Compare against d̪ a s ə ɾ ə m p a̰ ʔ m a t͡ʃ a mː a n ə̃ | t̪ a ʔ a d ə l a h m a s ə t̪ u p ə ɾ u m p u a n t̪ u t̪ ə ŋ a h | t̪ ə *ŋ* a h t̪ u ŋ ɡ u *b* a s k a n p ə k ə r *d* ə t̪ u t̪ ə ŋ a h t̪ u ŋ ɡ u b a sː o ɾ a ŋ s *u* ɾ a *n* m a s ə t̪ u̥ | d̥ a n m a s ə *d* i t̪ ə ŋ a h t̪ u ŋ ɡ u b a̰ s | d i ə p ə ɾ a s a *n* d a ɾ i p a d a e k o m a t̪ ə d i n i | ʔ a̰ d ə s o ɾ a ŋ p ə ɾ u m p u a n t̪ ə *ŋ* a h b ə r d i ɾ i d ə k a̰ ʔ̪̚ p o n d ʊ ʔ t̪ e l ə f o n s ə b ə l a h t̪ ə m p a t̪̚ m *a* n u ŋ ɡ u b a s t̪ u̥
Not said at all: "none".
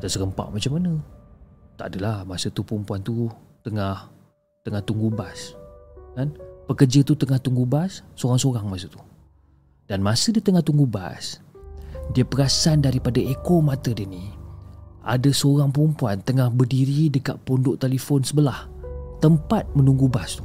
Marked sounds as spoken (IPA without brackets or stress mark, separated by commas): ŋ, b, d͡ʒ, o, ŋ, d, n, ŋ, ə